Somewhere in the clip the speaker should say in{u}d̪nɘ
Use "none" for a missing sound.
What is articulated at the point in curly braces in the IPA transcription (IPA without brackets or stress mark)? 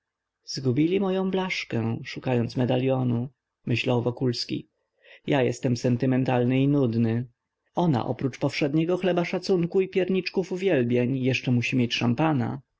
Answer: u